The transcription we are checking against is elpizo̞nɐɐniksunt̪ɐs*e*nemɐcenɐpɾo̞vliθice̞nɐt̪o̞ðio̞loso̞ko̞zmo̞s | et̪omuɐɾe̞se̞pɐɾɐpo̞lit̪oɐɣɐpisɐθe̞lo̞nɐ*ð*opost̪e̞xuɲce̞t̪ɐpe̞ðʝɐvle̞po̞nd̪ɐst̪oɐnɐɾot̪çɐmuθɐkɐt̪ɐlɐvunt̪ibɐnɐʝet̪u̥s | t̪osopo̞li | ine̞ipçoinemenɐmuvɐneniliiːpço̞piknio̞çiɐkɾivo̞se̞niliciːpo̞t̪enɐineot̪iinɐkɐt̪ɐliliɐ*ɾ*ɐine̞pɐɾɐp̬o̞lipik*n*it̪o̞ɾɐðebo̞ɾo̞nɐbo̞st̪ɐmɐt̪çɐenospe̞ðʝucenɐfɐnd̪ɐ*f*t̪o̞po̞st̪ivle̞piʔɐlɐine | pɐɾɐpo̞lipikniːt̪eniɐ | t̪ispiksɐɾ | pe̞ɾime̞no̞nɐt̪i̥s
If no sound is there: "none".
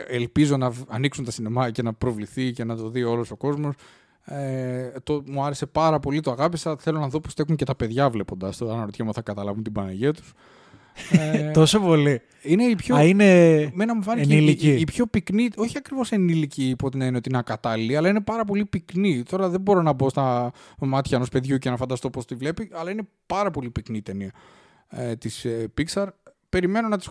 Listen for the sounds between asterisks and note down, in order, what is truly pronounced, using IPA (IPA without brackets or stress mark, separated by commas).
i, ð, l, n, s